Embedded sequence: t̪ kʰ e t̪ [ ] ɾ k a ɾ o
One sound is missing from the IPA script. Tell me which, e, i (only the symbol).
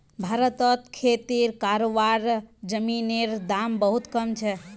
i